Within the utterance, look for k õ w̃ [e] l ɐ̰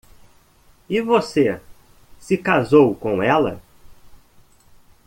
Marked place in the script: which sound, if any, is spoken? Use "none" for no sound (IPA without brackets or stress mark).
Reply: ɛ